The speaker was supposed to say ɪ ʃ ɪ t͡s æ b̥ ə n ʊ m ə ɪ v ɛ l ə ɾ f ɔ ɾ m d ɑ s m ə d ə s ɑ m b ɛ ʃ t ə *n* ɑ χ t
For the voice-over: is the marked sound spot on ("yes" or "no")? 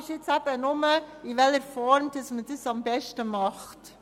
no